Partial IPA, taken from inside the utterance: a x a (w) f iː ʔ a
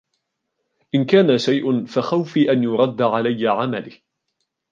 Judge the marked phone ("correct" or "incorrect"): correct